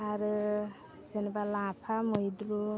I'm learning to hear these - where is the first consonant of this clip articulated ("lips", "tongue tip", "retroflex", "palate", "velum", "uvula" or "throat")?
tongue tip